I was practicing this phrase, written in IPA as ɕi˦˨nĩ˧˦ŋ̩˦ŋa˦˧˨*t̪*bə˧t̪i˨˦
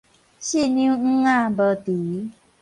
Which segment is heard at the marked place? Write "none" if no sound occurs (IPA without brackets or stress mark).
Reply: none